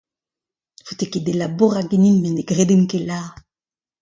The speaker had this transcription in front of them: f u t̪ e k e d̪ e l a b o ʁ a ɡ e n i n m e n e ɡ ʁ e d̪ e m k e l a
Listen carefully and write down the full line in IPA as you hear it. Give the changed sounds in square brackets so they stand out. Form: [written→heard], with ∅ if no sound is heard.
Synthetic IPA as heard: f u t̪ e k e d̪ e l a b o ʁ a ɡ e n i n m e n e ɡ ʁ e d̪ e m k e l a